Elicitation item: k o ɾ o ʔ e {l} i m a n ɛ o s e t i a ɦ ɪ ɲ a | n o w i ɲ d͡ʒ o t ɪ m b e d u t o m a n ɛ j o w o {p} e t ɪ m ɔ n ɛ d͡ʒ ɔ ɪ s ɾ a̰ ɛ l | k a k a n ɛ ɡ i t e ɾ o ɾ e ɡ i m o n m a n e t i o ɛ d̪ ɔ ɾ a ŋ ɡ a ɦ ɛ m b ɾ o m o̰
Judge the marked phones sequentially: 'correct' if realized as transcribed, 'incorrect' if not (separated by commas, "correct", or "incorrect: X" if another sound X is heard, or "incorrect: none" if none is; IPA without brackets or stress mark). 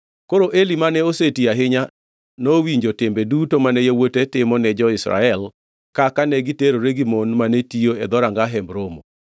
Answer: correct, incorrect: t